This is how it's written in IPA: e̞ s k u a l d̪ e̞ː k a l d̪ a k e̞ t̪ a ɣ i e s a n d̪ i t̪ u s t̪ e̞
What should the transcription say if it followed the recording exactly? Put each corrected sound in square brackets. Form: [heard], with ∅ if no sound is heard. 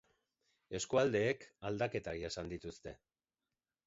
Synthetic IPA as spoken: e̞ s k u a l d̪ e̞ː k a l d̪ a k e̞ t̪ a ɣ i e s a n d̪ i t̪ u s t̪ e̞

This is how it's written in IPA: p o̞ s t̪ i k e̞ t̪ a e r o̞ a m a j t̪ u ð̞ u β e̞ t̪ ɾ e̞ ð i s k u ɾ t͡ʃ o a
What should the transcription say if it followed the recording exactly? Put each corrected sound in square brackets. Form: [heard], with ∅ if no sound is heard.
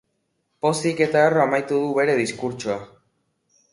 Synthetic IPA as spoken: p o̞ s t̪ i k e̞ t̪ a e r o̞ a m a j t̪ u ð̞ u β e̞ [∅] ɾ e̞ ð i s k u ɾ t͡ʃ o a

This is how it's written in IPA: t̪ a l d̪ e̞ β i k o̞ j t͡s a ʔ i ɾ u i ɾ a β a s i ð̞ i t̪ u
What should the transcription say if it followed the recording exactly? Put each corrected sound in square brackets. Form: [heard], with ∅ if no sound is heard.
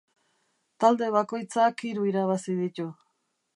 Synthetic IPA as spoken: t̪ a l d̪ e̞ β [a] k o̞ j t͡s a [k] i ɾ u i ɾ a β a s i ð̞ i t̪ u

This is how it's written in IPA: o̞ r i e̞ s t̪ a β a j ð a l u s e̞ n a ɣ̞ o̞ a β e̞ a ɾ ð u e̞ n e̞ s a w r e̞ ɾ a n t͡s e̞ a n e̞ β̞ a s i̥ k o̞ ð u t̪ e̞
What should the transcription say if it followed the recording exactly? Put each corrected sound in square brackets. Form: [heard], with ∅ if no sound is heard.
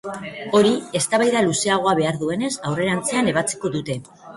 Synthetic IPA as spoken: o̞ [ɾ] i e̞ s t̪ a β a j ð a l u s e̞ [∅] a ɣ̞ o̞ a β e̞ a ɾ ð u e̞ n e̞ s a w r e̞ ɾ a n t͡s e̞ a n e̞ β̞ a [t͡s] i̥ k o̞ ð u t̪ e̞

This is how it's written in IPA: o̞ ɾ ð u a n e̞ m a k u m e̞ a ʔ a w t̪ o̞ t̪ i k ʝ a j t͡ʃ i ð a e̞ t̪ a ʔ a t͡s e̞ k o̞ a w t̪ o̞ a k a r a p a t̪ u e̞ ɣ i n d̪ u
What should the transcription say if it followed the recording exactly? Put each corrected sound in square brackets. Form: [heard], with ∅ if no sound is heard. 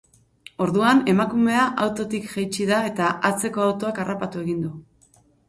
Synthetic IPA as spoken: o̞ ɾ ð u a n e̞ m a k u m e̞ a ʔ a w t̪ o̞ t̪ i k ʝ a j t͡ʃ i ð a e̞ t̪ a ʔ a t͡s e̞ k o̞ a w t̪ o̞ a k a r a p a t̪ u e̞ ɣ i n d̪ u

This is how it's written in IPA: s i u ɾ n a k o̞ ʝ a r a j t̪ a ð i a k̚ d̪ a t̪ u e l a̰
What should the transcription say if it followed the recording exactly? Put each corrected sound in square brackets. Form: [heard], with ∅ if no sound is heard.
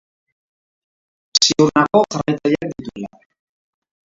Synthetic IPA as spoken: s i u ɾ n a k o̞ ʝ a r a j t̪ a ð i a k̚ d̪ [i] t̪ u e l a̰

